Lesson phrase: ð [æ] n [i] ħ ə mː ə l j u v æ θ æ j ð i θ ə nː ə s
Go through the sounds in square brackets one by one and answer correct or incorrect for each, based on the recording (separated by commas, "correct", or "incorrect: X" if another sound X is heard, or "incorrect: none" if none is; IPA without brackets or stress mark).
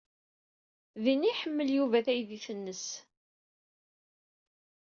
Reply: incorrect: i, correct